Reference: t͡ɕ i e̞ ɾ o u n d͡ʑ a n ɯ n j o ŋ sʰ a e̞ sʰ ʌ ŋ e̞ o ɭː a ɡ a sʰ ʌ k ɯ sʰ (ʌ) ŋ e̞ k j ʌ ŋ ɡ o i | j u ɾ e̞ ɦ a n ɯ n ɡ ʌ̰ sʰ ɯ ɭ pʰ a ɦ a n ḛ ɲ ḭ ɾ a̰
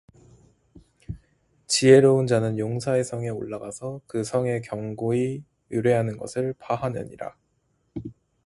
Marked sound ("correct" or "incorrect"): correct